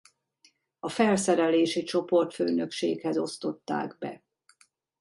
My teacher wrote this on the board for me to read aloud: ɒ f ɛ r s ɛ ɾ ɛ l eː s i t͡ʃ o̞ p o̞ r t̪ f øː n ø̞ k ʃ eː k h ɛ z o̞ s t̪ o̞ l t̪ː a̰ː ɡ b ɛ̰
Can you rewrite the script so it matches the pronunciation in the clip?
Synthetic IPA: ɒ f ɛ l s ɛ ɾ ɛ l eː ʃ i t͡ʃ o̞ p o̞ r t̪ f øː n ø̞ k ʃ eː k h ɛ z o̞ s t̪ o̞ t̪ː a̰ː ɡ b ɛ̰